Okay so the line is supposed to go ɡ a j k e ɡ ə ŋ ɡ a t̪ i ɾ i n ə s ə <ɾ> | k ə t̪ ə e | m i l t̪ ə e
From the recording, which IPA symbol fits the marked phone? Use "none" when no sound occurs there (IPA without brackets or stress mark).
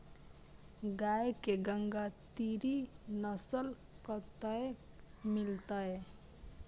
l